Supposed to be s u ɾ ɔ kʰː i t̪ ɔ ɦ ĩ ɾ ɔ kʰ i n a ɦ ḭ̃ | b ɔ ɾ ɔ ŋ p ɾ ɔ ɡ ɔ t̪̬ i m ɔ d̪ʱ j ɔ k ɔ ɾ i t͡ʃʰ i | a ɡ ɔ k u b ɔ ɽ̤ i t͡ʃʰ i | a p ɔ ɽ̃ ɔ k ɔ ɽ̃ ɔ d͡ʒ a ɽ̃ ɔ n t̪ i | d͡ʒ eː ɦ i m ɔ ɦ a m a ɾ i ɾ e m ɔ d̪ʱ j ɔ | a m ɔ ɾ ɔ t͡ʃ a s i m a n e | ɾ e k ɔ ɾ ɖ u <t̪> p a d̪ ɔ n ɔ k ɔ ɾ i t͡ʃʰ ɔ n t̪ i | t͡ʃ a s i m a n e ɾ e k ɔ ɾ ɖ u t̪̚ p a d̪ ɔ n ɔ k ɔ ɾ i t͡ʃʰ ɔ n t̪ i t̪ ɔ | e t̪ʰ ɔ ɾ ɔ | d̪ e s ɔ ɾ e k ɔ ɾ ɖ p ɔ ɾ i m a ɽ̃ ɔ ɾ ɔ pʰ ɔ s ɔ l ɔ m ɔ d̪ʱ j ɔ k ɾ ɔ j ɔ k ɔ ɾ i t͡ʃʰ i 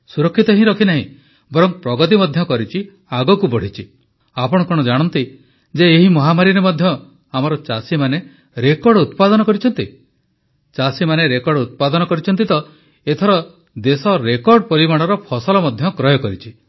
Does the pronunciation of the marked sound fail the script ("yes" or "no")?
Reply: no